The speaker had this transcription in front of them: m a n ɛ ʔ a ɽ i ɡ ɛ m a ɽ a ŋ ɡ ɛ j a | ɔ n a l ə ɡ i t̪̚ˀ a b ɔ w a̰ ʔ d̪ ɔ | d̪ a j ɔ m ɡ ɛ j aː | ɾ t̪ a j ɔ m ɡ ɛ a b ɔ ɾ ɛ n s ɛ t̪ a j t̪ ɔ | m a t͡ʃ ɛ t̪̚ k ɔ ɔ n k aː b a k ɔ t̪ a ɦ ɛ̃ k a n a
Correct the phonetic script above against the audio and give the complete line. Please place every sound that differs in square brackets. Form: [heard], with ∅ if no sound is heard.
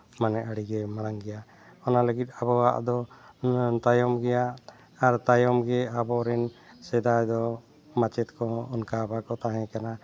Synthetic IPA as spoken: m a n ɛ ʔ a ɽ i ɡ ɛ m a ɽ a ŋ ɡ ɛ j a | ɔ n a l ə ɡ i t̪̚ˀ a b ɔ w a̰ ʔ d̪ ɔ | [t̪] a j ɔ m ɡ ɛ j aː | ɾ t̪ a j ɔ m ɡ ɛ a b ɔ ɾ ɛ n s ɛ [d̪] a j [d̪] ɔ | m a t͡ʃ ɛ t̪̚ k ɔ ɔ n k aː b a k ɔ t̪ a ɦ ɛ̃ k a n a